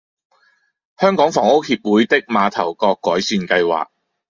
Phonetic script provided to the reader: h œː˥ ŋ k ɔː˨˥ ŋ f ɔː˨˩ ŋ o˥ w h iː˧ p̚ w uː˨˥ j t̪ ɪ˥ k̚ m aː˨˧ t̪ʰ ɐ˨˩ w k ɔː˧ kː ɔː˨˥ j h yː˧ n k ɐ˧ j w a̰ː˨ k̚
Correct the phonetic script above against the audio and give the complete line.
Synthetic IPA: h œː˥ ŋ k ɔː˨˥ ŋ f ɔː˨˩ ŋ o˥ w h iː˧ p̚ w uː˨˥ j t̪ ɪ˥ k̚ m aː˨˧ t̪ʰ ɐ˨˩ w k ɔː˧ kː ɔː˨˥ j s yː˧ n k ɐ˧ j w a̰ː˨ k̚